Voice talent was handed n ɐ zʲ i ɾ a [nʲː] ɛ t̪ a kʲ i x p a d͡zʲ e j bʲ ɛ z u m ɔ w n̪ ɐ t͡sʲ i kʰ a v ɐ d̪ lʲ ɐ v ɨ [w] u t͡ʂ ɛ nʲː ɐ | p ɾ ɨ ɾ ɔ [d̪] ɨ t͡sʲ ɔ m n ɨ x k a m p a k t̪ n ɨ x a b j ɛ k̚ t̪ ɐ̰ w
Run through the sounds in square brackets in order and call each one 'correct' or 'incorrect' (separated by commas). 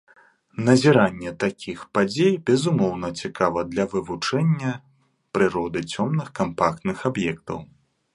correct, incorrect, correct